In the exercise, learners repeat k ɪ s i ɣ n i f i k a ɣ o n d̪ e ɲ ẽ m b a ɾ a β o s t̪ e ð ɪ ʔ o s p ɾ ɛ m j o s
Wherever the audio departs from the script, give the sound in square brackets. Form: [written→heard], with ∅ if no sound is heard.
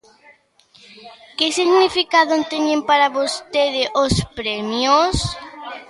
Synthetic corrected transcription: k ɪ s i ɣ n i f i k a [ɣ→ð] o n [d̪→t̪] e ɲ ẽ m [b→p] a ɾ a β o s t̪ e ð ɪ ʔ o s p ɾ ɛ m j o s